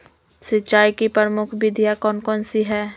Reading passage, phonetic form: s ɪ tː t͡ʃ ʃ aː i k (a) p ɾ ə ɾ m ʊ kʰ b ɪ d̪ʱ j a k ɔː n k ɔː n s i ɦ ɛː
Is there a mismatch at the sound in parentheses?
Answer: yes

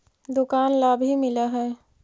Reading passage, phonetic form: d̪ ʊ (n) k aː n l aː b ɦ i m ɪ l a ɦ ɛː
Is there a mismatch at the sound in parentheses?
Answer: yes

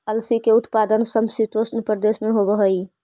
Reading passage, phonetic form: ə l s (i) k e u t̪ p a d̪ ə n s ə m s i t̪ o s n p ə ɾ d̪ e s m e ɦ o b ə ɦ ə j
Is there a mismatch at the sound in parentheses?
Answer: no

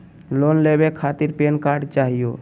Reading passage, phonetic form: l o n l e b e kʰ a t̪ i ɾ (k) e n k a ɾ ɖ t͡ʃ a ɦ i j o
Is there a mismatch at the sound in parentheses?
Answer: yes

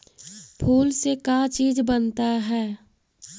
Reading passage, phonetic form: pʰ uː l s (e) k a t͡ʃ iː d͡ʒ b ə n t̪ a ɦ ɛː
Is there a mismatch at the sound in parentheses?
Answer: no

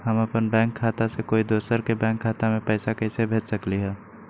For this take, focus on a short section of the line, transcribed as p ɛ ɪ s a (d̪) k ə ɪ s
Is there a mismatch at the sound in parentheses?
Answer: yes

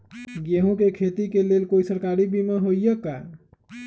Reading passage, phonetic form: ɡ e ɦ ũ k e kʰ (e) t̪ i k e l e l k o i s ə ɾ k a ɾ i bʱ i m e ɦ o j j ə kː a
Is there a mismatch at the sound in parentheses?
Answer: no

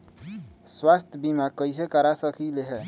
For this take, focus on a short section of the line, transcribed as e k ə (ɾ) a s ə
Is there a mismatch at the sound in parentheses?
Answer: no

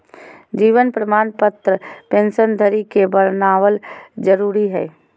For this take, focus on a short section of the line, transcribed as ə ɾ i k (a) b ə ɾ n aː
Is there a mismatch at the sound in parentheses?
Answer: yes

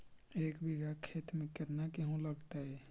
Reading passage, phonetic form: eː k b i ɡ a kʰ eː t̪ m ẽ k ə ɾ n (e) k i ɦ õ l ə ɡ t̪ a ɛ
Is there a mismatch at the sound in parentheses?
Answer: yes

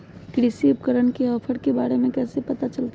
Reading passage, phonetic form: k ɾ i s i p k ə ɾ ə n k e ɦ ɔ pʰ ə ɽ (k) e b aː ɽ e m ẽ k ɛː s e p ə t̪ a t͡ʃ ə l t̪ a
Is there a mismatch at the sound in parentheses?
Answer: no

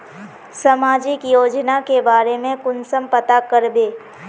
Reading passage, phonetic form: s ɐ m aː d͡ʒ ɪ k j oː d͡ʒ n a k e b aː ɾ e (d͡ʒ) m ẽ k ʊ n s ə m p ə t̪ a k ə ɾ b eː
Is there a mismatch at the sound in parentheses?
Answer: yes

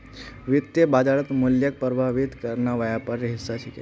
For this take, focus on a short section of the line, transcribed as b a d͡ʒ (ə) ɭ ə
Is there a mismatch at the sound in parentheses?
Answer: yes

